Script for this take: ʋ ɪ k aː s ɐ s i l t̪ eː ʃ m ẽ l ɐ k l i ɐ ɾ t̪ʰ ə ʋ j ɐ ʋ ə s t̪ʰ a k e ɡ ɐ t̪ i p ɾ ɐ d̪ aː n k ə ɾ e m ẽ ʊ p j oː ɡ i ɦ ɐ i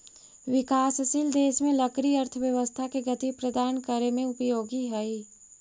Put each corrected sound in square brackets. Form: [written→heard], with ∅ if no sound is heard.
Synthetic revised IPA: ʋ ɪ k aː s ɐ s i l [t̪→d̪] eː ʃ m ẽ l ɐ k [l→ɾ] i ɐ ɾ t̪ʰ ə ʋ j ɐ ʋ ə s t̪ʰ a k e ɡ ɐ t̪ i p ɾ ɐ d̪ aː n k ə ɾ e m ẽ ʊ p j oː ɡ i ɦ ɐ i

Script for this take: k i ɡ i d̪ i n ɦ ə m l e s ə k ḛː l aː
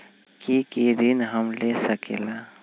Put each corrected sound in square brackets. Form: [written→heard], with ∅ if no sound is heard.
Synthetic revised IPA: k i [ɡ→k] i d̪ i n ɦ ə m l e s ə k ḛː l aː

